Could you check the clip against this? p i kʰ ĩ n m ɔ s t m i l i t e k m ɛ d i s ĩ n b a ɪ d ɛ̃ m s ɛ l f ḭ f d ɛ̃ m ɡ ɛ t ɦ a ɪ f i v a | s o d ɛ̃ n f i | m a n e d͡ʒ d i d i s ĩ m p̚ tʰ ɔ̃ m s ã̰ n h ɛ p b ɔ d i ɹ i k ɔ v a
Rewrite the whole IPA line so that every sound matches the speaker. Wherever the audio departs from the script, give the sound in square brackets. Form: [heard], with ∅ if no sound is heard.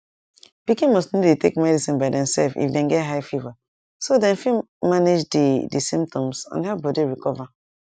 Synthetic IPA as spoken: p i [k] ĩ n m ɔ s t [n] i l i t e k m ɛ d i s ĩ n b a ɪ d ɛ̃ m s ɛ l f ḭ f d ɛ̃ [n] ɡ ɛ t ɦ a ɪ f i v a | s o d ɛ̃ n f i | m a n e d͡ʒ d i d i s ĩ m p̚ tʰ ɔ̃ m s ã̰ n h ɛ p b ɔ d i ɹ i k ɔ v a